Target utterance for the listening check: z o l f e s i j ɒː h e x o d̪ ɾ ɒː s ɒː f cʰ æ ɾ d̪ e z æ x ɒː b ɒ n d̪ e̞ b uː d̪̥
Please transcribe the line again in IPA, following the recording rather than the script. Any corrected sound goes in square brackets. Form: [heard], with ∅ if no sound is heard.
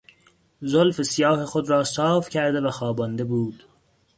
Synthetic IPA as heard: z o l f e s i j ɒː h e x o d̪ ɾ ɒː s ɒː f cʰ æ ɾ d̪ e [v] æ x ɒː b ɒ n d̪ e̞ b uː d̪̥